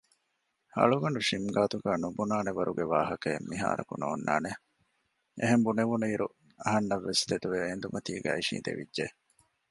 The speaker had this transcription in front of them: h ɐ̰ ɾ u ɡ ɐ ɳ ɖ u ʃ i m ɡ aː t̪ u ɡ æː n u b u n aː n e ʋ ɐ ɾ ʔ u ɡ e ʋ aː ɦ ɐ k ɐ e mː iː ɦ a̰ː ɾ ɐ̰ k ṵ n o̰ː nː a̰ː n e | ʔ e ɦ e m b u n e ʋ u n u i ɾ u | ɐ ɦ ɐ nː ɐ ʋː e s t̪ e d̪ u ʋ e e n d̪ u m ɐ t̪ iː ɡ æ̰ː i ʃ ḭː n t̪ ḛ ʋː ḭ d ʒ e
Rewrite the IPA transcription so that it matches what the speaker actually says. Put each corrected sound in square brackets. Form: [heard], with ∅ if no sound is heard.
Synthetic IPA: h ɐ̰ [ɭ] u ɡ ɐ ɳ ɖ u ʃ i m ɡ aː t̪ u ɡ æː n u b u n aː n e ʋ ɐ ɾ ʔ u ɡ e ʋ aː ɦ ɐ k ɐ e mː [i] ɦ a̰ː ɾ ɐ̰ k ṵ n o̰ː nː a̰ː n e | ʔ e ɦ e m b u n e ʋ u n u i ɾ u | ɐ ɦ ɐ nː ɐ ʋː e s t̪ e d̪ u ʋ e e n d̪ u m ɐ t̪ iː ɡ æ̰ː i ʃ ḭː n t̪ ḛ [ʋ] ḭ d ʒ e